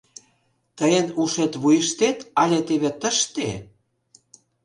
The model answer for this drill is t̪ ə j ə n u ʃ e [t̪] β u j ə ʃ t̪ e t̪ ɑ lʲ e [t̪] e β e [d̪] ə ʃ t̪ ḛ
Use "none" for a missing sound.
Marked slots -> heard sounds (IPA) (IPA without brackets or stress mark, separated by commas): t̪, t̪, t̪